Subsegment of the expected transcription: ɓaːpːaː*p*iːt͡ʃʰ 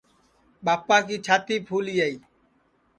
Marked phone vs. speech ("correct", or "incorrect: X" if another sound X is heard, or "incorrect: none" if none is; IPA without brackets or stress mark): incorrect: k